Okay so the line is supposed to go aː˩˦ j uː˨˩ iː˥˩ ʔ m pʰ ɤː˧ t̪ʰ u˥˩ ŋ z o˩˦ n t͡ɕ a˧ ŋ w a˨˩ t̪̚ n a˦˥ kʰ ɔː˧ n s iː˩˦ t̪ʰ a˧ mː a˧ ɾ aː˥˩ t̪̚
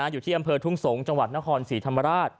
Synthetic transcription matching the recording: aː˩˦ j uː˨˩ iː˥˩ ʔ m pʰ ɤː˧ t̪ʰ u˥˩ ŋ s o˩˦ ŋ t͡ɕ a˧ ŋ w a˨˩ t̪̚ n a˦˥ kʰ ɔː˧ n s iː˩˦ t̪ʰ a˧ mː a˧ ɾ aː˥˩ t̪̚